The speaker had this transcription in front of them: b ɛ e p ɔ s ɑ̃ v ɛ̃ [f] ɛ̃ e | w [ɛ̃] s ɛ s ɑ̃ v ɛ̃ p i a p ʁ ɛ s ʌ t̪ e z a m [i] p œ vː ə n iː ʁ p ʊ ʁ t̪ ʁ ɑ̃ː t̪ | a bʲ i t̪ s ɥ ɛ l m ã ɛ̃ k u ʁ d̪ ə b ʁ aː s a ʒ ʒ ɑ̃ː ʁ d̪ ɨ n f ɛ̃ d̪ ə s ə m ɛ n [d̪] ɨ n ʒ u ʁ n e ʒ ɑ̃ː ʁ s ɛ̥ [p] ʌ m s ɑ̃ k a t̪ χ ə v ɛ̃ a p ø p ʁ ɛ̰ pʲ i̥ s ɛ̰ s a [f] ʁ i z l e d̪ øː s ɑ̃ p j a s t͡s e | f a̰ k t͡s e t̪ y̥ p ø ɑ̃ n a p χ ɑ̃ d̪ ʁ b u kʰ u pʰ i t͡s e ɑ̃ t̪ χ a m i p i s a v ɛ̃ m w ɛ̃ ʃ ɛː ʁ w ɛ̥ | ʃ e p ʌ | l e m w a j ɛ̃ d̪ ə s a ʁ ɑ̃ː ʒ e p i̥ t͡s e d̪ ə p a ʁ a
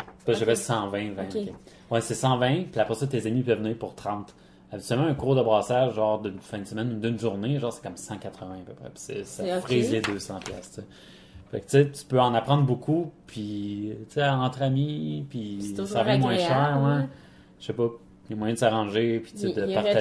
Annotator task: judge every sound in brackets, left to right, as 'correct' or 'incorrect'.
incorrect, incorrect, correct, correct, incorrect, correct

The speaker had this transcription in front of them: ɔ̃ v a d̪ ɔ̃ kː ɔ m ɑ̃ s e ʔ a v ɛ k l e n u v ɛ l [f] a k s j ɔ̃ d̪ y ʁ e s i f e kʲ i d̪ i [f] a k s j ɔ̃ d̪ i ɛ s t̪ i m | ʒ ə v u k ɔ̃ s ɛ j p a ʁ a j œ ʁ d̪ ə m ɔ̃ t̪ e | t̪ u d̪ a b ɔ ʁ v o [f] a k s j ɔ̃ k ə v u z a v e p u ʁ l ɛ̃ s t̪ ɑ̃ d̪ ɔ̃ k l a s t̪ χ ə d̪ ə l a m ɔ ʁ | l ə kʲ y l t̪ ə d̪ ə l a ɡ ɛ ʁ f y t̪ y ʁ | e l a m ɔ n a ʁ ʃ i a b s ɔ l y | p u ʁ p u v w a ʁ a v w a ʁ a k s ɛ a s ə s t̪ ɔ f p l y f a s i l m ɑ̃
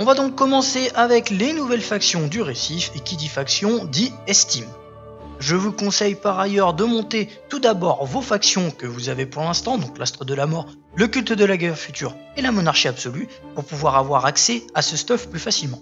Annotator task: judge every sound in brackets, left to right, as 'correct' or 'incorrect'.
correct, correct, correct

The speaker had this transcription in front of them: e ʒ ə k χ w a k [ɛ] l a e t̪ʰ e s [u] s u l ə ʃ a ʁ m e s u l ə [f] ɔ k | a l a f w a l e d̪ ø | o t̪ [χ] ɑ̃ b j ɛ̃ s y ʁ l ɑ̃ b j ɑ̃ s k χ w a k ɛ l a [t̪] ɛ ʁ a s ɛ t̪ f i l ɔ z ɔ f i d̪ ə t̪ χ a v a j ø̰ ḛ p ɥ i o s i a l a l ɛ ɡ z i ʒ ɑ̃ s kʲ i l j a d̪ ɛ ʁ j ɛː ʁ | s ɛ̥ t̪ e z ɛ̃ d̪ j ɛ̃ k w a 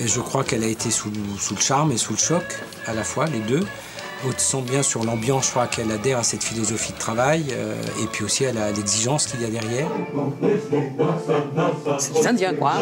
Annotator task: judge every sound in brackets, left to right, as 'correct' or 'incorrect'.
correct, correct, incorrect, incorrect, incorrect

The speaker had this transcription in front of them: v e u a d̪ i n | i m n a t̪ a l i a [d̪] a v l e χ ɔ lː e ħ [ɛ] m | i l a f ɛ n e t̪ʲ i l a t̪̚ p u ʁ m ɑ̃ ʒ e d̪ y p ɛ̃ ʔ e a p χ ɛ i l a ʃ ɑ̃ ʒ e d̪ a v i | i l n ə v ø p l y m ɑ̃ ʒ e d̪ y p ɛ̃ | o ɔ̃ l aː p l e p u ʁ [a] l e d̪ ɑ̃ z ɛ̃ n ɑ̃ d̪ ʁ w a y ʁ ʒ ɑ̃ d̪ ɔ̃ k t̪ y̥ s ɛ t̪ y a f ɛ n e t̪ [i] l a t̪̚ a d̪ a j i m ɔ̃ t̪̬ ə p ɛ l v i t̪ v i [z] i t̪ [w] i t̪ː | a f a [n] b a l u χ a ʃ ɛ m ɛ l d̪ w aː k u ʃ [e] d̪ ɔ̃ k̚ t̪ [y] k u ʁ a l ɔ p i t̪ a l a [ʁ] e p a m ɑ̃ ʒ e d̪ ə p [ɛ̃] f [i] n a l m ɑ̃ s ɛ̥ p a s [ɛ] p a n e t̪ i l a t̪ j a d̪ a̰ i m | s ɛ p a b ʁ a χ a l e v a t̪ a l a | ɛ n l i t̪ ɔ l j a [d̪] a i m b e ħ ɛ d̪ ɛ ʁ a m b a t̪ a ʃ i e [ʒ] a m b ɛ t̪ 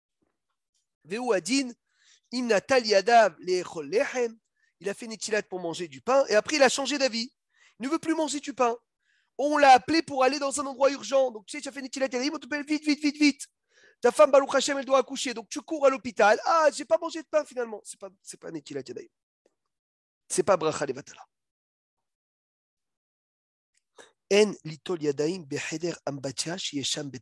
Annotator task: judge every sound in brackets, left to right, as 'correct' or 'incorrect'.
correct, correct, correct, correct, incorrect, incorrect, incorrect, correct, correct, incorrect, correct, correct, correct, correct, incorrect

